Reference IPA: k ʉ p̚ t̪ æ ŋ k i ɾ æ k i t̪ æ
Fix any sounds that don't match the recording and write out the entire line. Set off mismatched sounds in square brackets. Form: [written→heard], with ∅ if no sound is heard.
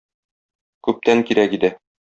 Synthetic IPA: k ʉ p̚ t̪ æ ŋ k i ɾ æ k i [t̪→d̪] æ